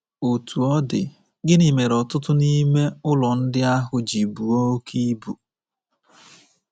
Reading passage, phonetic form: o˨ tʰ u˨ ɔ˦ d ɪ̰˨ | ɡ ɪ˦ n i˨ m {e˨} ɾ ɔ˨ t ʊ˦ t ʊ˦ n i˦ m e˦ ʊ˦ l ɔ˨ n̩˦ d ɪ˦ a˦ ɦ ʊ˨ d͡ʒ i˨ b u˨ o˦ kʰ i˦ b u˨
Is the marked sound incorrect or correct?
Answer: correct